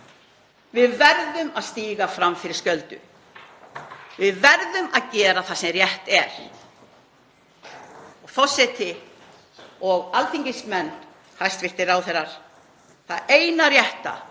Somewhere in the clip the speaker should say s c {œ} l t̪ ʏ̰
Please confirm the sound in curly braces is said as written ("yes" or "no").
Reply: yes